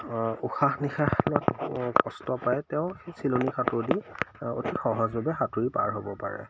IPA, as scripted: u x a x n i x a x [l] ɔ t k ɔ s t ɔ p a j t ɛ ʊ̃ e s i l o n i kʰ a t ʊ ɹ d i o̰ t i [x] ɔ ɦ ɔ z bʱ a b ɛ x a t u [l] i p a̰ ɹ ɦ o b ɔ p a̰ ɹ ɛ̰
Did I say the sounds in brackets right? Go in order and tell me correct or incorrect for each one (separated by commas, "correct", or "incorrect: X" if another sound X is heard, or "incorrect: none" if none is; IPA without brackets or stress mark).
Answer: correct, correct, incorrect: ɹ